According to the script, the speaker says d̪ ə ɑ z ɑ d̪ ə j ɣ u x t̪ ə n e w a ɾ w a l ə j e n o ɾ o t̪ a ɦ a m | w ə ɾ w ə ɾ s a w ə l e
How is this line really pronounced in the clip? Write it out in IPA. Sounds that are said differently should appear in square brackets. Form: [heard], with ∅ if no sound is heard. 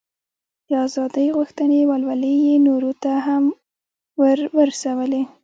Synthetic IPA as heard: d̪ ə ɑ z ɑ d̪ ə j ɣ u x t̪ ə n e w a [l] w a l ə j e n o ɾ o t̪ a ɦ a m | w ə ɾ w ə ɾ s a w ə l e